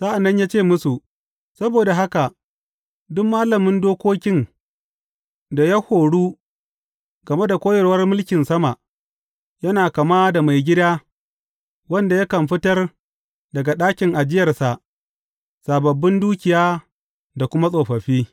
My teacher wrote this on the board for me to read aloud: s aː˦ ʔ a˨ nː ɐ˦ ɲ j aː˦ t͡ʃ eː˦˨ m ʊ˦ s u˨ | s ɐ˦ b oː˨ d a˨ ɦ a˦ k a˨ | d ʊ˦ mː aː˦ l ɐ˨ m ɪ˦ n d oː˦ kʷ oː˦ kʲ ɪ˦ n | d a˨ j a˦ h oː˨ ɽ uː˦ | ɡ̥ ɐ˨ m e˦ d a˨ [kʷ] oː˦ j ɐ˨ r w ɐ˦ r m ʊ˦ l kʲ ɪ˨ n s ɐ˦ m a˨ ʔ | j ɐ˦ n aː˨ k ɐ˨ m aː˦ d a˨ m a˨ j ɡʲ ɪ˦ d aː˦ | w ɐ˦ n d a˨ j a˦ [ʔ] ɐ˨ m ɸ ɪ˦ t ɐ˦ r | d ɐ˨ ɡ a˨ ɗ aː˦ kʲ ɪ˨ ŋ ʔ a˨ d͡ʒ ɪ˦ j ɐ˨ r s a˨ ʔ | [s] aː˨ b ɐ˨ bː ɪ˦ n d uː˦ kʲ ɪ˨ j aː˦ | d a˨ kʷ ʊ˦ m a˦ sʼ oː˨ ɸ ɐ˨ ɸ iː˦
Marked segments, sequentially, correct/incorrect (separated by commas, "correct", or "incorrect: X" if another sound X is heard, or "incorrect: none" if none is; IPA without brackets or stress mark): correct, incorrect: k, correct